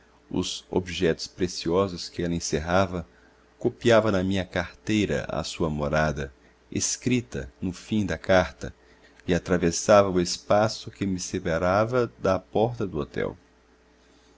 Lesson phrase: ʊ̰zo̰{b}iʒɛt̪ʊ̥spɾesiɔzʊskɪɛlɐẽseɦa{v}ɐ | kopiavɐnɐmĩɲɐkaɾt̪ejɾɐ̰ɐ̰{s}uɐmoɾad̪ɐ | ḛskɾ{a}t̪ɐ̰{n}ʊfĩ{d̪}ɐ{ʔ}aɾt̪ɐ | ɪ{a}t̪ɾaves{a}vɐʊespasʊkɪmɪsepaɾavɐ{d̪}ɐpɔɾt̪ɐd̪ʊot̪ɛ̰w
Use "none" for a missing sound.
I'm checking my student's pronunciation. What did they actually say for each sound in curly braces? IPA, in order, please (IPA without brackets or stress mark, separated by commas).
b, v, s, i, n, d̪, k, a, a, d̪